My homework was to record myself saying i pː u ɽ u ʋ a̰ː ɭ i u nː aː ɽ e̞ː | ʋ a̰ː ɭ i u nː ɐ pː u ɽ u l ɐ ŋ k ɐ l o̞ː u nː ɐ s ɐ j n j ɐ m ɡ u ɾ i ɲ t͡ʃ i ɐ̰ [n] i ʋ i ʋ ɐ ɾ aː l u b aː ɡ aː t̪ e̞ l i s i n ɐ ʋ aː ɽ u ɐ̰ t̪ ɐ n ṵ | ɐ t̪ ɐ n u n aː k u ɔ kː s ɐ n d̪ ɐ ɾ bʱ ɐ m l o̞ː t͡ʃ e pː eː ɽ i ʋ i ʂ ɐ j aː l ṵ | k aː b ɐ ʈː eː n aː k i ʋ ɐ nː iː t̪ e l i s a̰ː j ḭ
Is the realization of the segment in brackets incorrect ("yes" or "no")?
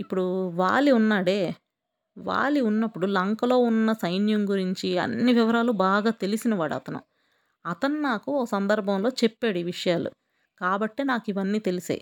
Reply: yes